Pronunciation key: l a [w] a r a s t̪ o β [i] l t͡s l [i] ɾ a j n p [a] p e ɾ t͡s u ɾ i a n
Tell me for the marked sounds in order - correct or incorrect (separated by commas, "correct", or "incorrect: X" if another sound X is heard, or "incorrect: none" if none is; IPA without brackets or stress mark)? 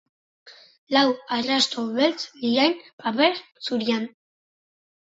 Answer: correct, incorrect: e, correct, correct